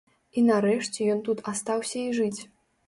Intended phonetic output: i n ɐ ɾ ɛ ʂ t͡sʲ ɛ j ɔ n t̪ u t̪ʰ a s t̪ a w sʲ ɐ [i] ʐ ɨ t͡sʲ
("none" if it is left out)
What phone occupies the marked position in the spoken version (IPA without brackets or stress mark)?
i